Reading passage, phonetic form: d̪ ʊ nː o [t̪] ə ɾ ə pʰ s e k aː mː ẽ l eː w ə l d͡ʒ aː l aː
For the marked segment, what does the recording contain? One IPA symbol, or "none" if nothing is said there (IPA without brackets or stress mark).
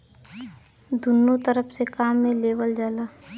t̪